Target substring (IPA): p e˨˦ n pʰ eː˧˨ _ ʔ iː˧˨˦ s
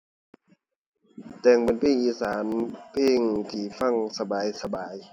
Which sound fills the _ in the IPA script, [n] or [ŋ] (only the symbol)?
ŋ